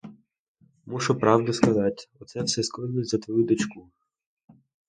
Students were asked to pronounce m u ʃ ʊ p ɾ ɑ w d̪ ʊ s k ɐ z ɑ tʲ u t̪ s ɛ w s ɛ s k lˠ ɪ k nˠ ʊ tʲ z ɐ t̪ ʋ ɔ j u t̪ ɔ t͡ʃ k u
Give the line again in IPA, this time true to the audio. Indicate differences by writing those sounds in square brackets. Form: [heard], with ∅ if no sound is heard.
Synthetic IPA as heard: m u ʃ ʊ p ɾ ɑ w d̪ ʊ s k ɐ z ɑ tʲ [ɔ] t̪ s ɛ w s ɛ s k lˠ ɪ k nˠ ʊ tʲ z ɐ t̪ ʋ ɔ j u [d̪] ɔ t͡ʃ k u

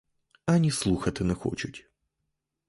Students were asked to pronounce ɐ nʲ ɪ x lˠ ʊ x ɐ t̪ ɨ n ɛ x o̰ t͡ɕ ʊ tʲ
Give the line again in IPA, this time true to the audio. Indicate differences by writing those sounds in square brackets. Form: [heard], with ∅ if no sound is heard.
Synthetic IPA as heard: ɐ nʲ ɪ [s] lˠ [u] x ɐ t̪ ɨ n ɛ x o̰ t͡ɕ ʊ tʲ

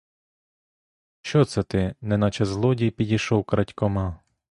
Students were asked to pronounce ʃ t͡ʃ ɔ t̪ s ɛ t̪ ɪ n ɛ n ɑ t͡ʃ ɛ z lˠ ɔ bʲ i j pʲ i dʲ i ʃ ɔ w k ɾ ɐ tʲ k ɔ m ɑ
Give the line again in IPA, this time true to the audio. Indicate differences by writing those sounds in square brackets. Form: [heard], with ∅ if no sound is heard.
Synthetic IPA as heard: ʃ t͡ʃ ɔ t̪ s ɛ t̪ ɪ n ɛ n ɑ t͡ʃ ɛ z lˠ ɔ [dʲ] i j pʲ i dʲ i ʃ ɔ w k ɾ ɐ tʲ k ɔ m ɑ

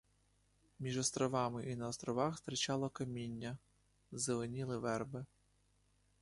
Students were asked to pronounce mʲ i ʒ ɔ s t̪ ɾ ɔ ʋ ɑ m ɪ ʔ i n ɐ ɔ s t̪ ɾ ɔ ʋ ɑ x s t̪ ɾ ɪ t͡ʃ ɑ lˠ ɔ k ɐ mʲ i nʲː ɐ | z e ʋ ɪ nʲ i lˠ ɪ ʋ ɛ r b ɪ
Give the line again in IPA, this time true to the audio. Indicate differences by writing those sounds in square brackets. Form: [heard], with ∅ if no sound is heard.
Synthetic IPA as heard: mʲ i ʒ ɔ s t̪ ɾ ɔ ʋ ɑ m ɪ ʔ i n ɐ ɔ s t̪ ɾ ɔ ʋ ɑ x s t̪ ɾ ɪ t͡ʃ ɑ lˠ ɔ k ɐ mʲ i nʲː ɐ | z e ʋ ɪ nʲ i lˠ ɪ ʋ ɛ r b ɪ

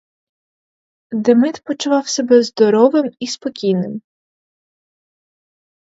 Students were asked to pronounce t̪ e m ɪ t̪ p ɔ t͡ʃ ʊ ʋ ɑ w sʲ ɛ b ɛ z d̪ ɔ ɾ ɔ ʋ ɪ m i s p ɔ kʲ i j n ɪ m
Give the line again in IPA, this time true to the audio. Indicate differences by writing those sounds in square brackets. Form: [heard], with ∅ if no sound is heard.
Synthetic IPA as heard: [d̪] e m ɪ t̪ p ɔ t͡ʃ ʊ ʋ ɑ w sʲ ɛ b ɛ z d̪ ɔ ɾ ɔ ʋ ɪ m i s p ɔ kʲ i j n ɪ m

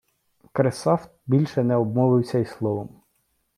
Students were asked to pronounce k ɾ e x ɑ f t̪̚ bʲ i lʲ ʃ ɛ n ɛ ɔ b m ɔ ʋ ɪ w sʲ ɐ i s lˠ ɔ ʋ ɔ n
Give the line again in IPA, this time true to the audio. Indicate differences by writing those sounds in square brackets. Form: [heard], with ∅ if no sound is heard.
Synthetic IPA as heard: k ɾ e [s] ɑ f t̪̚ bʲ i lʲ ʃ ɛ n ɛ ɔ b m ɔ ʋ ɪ w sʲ ɐ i s lˠ ɔ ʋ ɔ [m]

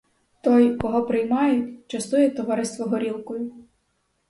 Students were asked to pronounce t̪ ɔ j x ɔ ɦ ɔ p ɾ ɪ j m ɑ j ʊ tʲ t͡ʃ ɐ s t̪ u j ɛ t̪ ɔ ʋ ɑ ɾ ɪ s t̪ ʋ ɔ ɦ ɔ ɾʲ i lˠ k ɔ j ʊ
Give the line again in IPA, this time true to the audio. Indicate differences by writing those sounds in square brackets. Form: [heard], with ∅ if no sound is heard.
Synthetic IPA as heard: t̪ ɔ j [k] ɔ ɦ ɔ p ɾ ɪ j m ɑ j ʊ tʲ t͡ʃ ɐ s t̪ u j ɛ t̪ ɔ ʋ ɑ ɾ ɪ s t̪ ʋ ɔ ɦ ɔ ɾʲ i lˠ k ɔ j ʊ

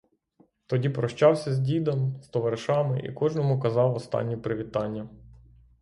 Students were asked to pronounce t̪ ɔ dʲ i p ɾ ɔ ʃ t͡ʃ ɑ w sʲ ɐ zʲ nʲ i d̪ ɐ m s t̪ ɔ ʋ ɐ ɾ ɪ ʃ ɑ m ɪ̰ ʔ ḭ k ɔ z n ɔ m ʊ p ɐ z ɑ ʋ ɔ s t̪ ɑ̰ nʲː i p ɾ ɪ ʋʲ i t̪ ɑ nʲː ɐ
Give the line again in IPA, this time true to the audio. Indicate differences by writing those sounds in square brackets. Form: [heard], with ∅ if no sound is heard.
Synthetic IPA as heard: t̪ ɔ dʲ i p ɾ ɔ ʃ t͡ʃ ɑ w sʲ ɐ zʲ [dʲ] i d̪ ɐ m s t̪ ɔ ʋ ɐ ɾ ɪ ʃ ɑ m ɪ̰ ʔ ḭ k ɔ [ʒ] n ɔ m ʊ [k] ɐ z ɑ [w] ɔ s t̪ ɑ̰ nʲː i p ɾ ɪ ʋʲ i t̪ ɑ nʲː ɐ

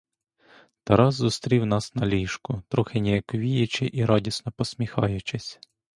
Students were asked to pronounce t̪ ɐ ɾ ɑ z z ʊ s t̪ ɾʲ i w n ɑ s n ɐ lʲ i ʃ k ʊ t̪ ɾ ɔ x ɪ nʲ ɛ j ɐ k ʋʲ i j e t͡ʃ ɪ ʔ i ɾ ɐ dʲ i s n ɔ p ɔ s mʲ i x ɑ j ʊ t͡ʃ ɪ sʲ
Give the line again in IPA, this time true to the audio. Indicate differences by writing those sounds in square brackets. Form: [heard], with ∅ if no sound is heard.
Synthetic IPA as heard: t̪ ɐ ɾ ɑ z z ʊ s t̪ ɾʲ i w n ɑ s n ɐ lʲ i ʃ k ʊ t̪ ɾ ɔ x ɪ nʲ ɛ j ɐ k ʋʲ i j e t͡ʃ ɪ ʔ i ɾ [ɑ] dʲ i s n ɔ p ɔ s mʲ i x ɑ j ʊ t͡ʃ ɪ sʲ

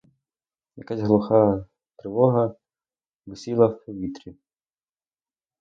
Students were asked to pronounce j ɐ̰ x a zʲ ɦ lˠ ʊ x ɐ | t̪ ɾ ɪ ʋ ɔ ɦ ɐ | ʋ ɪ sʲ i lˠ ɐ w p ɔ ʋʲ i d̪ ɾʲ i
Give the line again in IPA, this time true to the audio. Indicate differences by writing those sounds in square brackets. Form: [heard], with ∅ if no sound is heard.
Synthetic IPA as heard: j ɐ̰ [k] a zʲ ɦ lˠ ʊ x [ɑ] | t̪ ɾ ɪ ʋ ɔ ɦ ɐ | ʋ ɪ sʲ i lˠ ɐ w p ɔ ʋʲ i [t̪] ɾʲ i

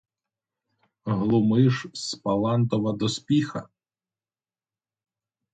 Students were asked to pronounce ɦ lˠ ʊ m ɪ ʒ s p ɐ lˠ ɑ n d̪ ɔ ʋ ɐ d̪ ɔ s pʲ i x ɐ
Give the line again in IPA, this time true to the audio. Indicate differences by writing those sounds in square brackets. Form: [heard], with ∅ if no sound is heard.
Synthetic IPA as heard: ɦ lˠ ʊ m ɪ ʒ s p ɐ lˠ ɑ n [t̪] ɔ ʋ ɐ d̪ ɔ s pʲ i x ɐ

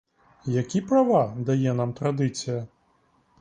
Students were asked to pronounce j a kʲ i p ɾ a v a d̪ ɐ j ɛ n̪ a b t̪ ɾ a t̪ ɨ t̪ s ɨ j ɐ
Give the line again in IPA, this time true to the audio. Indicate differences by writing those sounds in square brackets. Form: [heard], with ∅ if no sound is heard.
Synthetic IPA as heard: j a kʲ i p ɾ a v a d̪ [a] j ɛ n̪ a [m] t̪ ɾ a [d̪] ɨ t̪ s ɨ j ɐ

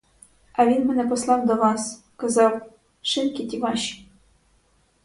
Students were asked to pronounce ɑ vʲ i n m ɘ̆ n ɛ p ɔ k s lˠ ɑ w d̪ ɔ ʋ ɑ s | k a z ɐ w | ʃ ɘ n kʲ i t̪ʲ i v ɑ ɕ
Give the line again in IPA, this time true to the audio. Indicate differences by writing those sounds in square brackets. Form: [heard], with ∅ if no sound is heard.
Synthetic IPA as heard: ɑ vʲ i n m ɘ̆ n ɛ p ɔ [∅] s lˠ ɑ w d̪ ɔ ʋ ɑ s | k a z [ɑ] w | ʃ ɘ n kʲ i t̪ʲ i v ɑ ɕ

